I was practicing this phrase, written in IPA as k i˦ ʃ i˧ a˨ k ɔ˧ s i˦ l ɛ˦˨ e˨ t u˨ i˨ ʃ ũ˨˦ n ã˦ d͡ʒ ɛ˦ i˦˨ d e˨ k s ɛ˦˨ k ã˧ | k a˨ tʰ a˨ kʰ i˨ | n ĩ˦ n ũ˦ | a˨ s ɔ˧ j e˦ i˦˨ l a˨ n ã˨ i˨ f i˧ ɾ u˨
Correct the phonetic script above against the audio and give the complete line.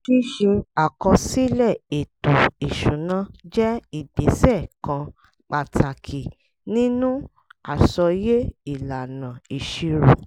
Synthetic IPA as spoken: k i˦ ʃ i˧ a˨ k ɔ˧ s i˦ l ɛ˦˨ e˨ t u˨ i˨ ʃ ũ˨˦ n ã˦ d͡ʒ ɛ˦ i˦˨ d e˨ s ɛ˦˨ k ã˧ | k͡p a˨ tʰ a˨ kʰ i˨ | n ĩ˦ n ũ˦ | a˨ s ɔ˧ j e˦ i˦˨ l a˨ n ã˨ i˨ ʃ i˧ ɾ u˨